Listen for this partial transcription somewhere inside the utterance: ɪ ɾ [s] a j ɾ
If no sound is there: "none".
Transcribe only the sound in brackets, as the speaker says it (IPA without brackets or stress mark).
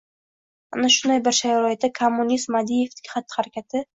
ʃ